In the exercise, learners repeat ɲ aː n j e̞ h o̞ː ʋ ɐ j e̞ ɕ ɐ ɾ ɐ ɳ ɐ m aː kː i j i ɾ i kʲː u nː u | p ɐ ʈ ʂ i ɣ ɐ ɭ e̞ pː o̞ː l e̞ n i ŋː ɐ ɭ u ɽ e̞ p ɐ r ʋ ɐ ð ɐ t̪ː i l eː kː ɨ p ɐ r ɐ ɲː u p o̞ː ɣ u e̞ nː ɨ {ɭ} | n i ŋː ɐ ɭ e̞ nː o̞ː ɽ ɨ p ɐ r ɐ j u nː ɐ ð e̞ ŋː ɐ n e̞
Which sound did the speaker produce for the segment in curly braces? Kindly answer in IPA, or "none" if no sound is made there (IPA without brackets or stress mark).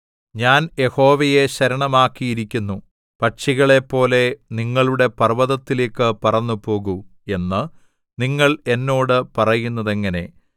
none